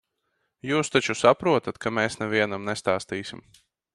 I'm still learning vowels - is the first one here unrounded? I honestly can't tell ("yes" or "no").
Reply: no